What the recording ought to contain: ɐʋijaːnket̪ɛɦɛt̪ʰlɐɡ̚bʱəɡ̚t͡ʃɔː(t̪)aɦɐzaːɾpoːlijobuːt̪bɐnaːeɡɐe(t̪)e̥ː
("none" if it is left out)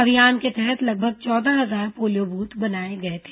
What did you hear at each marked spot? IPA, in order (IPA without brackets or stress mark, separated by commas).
d̪, t̪ʰ